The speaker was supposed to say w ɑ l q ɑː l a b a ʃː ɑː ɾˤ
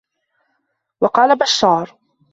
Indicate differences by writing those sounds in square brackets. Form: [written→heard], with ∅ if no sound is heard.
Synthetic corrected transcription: w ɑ [l→∅] q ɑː l a b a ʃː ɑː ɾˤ

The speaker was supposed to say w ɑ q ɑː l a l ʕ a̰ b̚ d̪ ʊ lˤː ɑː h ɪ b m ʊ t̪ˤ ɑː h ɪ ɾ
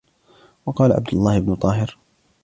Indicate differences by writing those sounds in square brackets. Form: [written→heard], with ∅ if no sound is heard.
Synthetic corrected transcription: w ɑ q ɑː l a [l→∅] ʕ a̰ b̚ d̪ ʊ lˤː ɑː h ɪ b [m→n] ʊ t̪ˤ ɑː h ɪ ɾ

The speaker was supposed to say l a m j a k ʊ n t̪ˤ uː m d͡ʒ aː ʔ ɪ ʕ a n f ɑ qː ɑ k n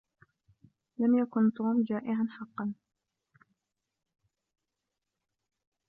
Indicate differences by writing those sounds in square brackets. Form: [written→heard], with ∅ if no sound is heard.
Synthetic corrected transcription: l a m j a k ʊ n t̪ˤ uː m d͡ʒ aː ʔ ɪ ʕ a n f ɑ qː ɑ [k→∅] n

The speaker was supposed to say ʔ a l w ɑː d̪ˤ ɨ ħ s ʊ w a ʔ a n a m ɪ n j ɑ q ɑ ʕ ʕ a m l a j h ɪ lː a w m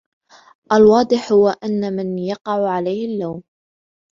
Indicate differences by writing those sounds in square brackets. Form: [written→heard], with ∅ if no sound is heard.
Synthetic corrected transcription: ʔ a l w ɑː d̪ˤ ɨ ħ [s→h] ʊ w a ʔ a [n→nː] a m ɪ n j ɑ q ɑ ʕ ʕ a [m→∅] l a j h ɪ lː a w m

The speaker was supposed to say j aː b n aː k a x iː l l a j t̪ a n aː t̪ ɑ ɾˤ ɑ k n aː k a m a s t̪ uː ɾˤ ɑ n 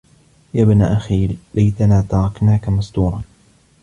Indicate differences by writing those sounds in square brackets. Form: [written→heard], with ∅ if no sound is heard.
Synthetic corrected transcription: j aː b n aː [k→ʔ] a x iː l l a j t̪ a n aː t̪ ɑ ɾˤ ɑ k n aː k a m a s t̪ uː ɾˤ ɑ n

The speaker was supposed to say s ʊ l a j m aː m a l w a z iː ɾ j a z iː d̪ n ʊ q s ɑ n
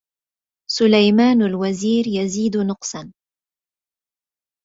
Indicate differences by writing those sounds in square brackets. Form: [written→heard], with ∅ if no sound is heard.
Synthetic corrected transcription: s ʊ l a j m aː [m→n] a l w a z iː ɾ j a z iː d̪ n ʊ q s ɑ n

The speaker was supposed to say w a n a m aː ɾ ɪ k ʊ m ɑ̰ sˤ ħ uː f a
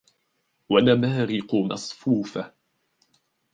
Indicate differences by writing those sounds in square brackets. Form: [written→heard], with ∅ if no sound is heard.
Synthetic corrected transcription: w a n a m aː ɾ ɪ [k→q] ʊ m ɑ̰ sˤ [ħ→f] uː f a

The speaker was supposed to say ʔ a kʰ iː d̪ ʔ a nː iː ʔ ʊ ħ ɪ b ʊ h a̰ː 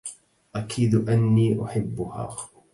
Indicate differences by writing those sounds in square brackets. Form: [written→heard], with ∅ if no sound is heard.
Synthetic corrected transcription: ʔ a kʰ iː d̪ ʔ a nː iː ʔ ʊ ħ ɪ [b→bː] ʊ h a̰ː

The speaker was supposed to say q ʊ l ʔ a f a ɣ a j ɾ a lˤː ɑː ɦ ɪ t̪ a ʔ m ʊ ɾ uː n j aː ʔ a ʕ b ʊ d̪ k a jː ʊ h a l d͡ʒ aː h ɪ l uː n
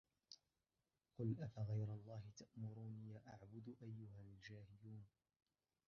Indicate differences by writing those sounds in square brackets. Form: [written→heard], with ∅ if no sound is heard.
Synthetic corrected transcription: q ʊ l ʔ a f a ɣ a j ɾ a lˤː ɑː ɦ ɪ t̪ a ʔ m ʊ ɾ uː n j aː ʔ a ʕ b ʊ d̪ [k→ʔ] a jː ʊ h a l d͡ʒ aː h ɪ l uː n

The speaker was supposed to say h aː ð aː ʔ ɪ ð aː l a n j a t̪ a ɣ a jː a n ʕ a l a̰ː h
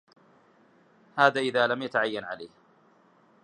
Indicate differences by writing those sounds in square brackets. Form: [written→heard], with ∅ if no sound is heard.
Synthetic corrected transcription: h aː ð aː ʔ ɪ ð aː l a [n→m] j a t̪ a [ɣ→ʕ] a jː a n ʕ a l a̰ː h

